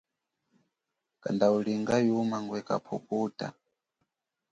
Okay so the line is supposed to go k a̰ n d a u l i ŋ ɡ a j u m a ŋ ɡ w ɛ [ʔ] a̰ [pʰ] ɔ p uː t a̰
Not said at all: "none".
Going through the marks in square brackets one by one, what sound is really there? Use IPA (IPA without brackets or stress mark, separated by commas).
k, pʰ